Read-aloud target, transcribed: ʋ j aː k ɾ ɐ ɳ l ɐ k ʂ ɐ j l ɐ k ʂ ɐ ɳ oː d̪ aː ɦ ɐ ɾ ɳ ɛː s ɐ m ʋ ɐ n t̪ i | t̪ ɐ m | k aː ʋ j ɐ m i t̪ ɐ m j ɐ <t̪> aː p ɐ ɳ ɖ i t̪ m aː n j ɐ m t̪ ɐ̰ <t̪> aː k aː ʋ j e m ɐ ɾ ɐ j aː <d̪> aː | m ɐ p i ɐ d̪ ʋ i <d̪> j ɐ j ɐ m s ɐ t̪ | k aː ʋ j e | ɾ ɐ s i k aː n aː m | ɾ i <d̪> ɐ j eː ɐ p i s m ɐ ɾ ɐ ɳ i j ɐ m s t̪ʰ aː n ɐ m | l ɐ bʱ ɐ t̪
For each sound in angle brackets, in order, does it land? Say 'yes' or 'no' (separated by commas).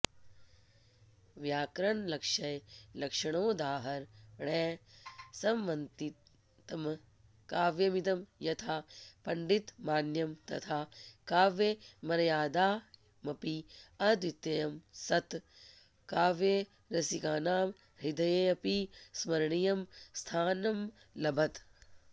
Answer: no, no, yes, no, yes